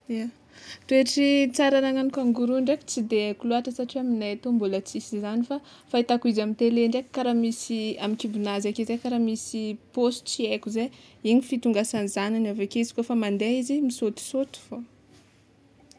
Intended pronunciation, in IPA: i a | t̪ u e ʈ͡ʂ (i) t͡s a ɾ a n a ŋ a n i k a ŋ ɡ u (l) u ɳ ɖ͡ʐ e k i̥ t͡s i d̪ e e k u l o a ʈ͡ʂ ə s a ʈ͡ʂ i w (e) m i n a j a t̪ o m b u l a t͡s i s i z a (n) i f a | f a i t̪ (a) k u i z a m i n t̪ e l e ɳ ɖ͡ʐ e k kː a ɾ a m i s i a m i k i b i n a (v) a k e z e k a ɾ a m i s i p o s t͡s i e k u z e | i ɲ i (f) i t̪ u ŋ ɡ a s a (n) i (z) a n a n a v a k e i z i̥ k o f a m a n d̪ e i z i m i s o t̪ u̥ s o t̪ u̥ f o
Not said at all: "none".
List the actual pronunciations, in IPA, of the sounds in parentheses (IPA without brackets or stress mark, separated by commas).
i, ɾ, a, n, a, z, f, n, z